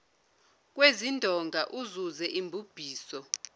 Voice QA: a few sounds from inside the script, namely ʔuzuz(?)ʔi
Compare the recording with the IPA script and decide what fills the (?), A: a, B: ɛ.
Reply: B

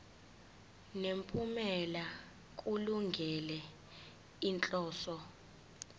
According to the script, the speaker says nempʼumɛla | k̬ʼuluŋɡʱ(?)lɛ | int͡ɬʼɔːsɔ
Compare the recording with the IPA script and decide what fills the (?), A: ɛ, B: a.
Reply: A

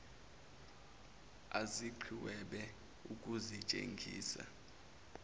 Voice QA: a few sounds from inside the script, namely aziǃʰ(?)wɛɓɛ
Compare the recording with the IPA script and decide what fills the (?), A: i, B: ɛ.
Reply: A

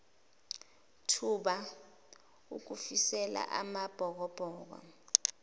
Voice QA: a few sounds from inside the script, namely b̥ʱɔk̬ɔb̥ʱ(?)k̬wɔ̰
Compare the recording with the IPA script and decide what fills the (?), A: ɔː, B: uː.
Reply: A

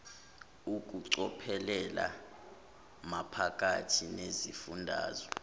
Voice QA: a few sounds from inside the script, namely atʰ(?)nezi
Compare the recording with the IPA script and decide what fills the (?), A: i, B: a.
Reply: A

